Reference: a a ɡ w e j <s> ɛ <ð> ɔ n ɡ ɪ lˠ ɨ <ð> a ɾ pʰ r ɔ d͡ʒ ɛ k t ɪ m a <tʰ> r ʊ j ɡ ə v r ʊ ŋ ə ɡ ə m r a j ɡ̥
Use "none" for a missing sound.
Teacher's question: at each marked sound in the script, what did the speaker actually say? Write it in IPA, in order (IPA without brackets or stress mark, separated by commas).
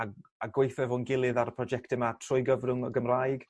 θ, v, ð, tʰ